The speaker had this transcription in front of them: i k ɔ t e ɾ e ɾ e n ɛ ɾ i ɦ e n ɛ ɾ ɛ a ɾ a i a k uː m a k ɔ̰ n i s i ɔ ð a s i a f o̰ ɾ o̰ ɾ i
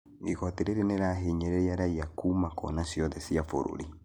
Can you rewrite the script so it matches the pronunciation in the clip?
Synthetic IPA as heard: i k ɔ t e ɾ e ɾ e n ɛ ɾ a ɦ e ɲ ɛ ɾ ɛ a ɾ a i a k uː m a k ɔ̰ n a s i ɔ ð ɛ s i a f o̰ ɾ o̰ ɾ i